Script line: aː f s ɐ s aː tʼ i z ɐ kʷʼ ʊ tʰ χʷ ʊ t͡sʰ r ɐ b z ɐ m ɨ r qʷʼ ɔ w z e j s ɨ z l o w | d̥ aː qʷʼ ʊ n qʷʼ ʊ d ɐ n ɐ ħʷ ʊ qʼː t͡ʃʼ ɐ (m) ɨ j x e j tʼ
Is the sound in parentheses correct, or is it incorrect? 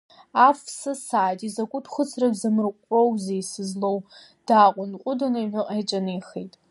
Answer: incorrect